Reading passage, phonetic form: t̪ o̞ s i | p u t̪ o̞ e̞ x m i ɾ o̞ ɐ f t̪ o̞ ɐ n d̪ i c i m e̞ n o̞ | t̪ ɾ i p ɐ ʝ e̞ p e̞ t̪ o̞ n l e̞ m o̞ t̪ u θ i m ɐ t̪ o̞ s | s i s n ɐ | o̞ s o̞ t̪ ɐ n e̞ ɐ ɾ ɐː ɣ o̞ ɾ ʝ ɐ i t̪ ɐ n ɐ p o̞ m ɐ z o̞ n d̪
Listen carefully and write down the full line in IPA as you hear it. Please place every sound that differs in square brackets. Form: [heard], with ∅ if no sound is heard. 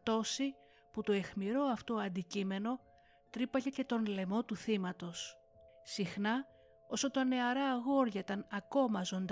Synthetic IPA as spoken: t̪ o̞ s i | p u t̪ o̞ e̞ x m i ɾ o̞ ɐ f t̪ o̞ ɐ n d̪ i c i m e̞ n o̞ | t̪ ɾ i p ɐ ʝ e̞ [c] e̞ t̪ o̞ n l e̞ m o̞ t̪ u θ i m ɐ t̪ o̞ s | s i [x] n ɐ | o̞ s o̞ t̪ ɐ n e̞ ɐ ɾ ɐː ɣ o̞ ɾ ʝ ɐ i t̪ ɐ n ɐ [k] o̞ m ɐ z o̞ n d̪